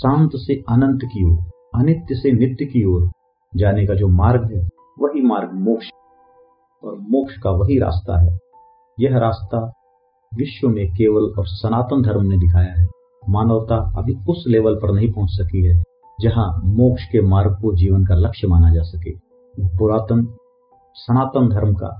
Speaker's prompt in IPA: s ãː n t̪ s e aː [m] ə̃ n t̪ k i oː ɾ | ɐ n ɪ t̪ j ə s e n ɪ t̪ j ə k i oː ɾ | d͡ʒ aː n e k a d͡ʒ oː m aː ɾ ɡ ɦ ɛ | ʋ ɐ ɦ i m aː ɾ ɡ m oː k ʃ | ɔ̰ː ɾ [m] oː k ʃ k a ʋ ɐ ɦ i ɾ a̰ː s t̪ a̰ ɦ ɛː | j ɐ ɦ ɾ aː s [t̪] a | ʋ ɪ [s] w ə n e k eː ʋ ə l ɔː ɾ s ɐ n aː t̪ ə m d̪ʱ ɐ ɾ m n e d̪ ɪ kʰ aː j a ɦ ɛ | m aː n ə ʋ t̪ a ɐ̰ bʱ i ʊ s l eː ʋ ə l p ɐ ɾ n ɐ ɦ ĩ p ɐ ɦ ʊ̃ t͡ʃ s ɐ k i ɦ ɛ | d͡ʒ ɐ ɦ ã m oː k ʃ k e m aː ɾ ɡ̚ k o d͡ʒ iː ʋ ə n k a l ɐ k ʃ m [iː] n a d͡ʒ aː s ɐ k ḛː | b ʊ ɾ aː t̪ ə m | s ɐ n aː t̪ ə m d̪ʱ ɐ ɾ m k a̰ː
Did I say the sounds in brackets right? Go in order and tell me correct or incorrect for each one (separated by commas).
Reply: incorrect, correct, correct, incorrect, incorrect